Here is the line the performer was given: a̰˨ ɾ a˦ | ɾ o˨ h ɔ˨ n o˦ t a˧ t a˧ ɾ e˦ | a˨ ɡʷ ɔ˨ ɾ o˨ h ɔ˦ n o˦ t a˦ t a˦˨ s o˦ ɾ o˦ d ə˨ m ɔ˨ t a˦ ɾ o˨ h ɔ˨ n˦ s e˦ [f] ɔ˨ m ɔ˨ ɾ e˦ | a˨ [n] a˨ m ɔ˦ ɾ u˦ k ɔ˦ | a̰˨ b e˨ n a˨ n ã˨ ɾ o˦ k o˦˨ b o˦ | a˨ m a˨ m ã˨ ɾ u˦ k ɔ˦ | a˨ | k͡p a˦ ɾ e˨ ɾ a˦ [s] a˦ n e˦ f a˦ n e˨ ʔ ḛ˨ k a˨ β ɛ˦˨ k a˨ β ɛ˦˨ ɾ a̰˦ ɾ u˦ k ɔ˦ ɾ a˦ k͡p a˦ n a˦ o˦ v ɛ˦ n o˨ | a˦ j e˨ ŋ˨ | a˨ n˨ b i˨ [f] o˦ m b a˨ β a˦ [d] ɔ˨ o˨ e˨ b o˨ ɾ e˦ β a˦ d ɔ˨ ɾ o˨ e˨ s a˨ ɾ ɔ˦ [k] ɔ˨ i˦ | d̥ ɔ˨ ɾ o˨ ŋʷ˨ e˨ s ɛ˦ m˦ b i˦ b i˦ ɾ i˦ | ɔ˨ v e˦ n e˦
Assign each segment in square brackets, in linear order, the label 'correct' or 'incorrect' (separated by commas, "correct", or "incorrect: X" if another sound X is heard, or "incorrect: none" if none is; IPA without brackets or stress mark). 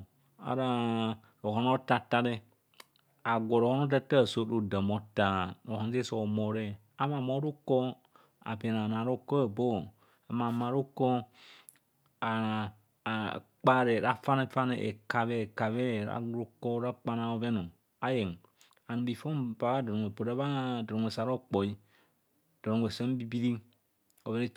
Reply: incorrect: s, incorrect: m, incorrect: f, correct, correct, incorrect: k͡p